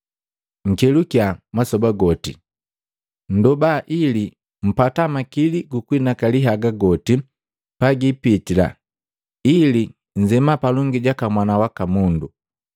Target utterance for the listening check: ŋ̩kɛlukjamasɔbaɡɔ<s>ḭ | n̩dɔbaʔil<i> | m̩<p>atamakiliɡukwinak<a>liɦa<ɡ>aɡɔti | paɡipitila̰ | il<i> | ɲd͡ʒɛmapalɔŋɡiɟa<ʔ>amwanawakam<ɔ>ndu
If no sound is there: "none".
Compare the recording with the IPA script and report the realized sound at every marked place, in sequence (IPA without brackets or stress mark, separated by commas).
t, i, p, a, ɡ, i, k, u